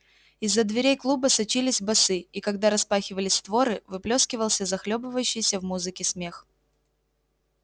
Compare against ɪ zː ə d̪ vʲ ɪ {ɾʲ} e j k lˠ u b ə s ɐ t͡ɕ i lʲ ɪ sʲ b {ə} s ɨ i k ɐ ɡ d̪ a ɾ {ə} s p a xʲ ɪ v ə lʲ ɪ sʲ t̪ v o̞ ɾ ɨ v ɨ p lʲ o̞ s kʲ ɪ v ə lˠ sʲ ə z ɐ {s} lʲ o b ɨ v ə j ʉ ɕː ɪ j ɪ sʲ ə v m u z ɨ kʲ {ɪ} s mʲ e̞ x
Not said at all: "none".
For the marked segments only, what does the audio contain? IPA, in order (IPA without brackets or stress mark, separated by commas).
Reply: ɾʲ, ɐ, ɐ, x, ɪ